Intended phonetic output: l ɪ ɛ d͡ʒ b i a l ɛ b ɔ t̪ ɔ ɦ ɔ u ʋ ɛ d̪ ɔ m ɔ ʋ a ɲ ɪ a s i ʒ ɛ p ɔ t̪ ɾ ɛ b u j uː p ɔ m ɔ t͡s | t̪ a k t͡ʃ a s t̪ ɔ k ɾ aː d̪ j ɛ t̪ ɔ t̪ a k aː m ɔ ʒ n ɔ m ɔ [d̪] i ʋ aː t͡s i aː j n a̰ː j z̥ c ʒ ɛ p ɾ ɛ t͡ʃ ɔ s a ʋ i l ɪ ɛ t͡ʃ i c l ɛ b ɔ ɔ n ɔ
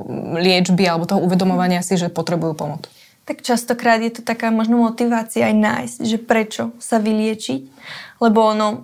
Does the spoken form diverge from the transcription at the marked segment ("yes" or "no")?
yes